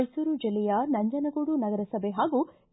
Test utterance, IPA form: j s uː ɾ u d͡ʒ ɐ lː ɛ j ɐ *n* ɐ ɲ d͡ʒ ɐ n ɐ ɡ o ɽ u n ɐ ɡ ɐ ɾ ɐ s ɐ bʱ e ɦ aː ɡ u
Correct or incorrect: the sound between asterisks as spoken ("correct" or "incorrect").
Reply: correct